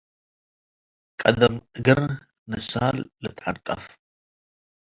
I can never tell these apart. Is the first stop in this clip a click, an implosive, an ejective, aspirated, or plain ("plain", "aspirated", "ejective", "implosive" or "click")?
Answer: ejective